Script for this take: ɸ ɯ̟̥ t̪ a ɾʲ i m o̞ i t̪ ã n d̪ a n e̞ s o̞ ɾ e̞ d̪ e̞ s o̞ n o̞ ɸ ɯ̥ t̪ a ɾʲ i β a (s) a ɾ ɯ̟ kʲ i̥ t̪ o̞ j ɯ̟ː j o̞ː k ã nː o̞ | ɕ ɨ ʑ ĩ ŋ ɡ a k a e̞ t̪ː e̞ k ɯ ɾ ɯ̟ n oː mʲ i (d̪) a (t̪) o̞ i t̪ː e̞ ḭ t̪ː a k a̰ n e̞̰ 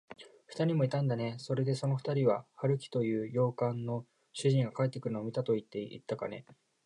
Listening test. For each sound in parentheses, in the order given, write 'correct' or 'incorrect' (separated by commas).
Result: incorrect, incorrect, correct